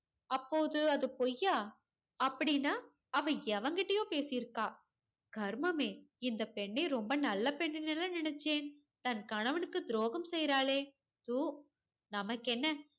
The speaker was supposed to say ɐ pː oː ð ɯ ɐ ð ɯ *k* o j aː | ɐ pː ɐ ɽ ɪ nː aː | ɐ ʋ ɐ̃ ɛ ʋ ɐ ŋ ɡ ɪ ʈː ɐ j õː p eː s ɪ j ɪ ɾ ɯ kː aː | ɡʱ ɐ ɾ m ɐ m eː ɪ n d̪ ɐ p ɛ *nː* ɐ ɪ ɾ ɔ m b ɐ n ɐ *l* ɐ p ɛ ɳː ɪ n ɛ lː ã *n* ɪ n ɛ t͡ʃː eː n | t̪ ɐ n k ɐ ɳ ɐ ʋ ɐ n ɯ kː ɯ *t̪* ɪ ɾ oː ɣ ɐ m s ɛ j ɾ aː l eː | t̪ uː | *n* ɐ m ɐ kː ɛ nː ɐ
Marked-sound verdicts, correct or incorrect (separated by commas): incorrect, incorrect, incorrect, correct, incorrect, correct